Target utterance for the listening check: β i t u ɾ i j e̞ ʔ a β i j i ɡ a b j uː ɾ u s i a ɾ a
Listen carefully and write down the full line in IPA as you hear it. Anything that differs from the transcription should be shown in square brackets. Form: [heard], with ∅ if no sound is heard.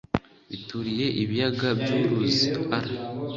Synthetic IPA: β i t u ɾ i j e̞ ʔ [i] β i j [a] ɡ a b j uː ɾ u [z] i a ɾ a